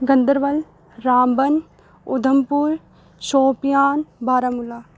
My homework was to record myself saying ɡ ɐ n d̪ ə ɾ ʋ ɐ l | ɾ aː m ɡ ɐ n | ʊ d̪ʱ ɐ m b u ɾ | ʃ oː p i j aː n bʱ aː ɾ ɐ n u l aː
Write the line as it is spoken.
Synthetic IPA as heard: ɡ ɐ n d̪ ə ɾ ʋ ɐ l | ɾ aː m b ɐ n | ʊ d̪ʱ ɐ m p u ɾ | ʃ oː p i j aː n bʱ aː ɾ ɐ m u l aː